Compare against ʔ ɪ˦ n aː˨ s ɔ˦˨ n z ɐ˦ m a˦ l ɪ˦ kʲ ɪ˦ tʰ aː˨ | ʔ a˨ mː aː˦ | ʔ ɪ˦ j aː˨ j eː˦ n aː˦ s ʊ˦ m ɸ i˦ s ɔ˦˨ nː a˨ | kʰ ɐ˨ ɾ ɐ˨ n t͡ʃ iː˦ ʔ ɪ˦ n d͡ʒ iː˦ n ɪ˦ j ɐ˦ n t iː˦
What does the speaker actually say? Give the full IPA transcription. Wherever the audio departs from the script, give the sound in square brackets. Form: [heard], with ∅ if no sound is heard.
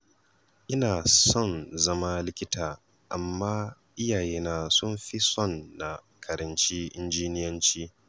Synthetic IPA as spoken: ʔ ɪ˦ n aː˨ s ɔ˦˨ n z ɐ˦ m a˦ l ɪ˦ kʲ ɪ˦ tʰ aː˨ | ʔ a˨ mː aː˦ | ʔ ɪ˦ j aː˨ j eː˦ n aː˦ s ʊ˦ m ɸ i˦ s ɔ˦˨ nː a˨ | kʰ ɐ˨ ɾ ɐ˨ n t͡ʃ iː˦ ʔ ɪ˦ n d͡ʒ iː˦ n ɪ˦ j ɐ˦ n [t͡ʃ] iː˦